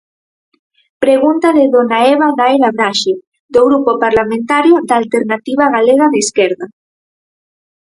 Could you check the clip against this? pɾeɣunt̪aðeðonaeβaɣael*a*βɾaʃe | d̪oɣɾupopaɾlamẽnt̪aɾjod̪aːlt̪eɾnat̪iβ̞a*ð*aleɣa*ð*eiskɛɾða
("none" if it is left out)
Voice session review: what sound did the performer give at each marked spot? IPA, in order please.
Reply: a, ɣ, ð

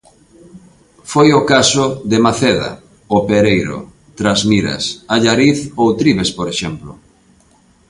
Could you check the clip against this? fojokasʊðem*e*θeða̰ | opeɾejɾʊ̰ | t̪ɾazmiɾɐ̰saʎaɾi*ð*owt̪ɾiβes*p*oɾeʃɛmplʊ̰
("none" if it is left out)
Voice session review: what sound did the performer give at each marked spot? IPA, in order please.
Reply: a, θ, p

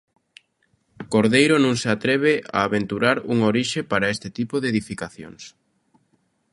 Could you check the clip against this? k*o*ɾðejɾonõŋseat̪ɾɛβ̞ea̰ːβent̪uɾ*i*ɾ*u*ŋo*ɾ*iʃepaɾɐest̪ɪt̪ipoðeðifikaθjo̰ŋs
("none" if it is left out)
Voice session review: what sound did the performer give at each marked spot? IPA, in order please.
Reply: o, a, u, ɾ

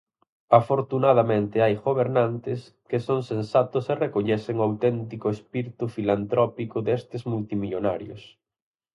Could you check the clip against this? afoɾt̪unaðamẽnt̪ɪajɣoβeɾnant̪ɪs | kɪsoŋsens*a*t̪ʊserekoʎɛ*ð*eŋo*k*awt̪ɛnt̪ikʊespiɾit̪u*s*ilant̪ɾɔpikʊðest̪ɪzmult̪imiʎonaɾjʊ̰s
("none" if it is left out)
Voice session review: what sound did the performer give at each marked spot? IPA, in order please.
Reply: a, θ, none, f

